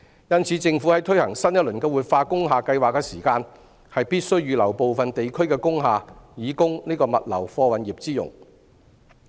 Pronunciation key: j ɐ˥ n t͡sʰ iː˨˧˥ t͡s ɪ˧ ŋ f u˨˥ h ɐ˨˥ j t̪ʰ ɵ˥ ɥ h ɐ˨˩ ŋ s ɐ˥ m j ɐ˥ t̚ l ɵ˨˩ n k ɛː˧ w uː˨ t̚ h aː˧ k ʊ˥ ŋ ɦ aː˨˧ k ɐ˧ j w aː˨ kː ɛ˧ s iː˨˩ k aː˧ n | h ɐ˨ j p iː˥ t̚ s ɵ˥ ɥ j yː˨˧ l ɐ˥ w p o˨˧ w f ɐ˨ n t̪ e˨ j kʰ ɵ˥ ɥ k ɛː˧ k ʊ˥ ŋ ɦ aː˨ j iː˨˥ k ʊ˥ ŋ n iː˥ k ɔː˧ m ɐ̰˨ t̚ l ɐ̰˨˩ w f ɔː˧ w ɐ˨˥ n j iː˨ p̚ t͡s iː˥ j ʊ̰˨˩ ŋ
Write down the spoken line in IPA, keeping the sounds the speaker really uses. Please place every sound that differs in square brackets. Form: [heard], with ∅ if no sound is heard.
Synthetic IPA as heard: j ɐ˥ n t͡sʰ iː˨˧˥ t͡s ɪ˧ ŋ f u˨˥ h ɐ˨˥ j t̪ʰ ɵ˥ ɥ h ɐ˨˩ ŋ s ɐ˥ [n] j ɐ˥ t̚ l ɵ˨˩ n k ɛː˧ w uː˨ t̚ [f] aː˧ k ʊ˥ ŋ ɦ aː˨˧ k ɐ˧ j w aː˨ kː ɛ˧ s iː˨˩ k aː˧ n | h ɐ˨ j p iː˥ t̚ s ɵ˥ ɥ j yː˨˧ l [ɐ˨˩] w p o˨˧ w f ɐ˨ n t̪ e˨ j kʰ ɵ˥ ɥ k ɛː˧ k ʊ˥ ŋ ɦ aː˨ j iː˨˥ k ʊ˥ ŋ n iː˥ k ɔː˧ m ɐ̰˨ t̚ l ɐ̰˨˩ w f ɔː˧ w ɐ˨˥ n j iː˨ p̚ t͡s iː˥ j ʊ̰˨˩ ŋ